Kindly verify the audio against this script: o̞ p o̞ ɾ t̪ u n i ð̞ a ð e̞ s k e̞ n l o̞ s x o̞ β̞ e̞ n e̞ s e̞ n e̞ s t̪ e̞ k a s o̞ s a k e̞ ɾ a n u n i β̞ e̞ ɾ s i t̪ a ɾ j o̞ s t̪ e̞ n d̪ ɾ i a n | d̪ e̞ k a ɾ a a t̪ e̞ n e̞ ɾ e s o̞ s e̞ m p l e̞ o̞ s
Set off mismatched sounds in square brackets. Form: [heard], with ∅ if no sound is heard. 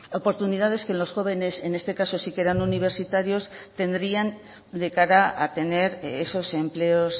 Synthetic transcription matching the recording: o̞ p o̞ ɾ t̪ u n i ð̞ a ð e̞ s k e̞ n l o̞ s x o̞ β̞ e̞ n e̞ s e̞ n e̞ s t̪ e̞ k a s o̞ s [i] k e̞ ɾ a n u n i β̞ e̞ ɾ s i t̪ a ɾ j o̞ s t̪ e̞ n d̪ ɾ i a n | d̪ e̞ k a ɾ a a t̪ e̞ n e̞ ɾ e s o̞ s e̞ m p l e̞ o̞ s